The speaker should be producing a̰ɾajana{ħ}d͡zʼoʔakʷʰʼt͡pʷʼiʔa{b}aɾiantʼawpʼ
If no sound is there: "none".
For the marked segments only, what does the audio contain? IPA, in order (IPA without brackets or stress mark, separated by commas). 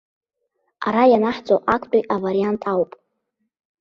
ħ, v